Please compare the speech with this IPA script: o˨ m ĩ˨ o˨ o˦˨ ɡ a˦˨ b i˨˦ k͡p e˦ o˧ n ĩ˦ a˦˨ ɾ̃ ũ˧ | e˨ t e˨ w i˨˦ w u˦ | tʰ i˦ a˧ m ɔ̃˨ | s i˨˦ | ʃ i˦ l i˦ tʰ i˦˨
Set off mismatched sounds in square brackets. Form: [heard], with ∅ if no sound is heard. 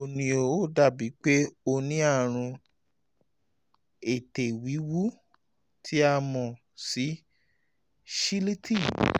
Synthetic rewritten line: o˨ [n] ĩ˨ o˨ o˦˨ [d] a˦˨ b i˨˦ k͡p e˦ o˧ n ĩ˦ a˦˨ ɾ̃ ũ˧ | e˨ t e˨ w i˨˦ w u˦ | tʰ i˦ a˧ m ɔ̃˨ | s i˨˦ | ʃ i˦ l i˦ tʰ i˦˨